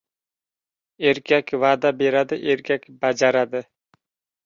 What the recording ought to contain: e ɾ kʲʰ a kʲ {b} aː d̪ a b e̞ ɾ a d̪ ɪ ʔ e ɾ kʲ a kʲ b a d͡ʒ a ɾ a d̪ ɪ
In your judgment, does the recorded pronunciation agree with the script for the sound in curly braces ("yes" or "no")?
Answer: no